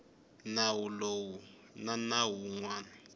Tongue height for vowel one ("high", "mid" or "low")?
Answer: low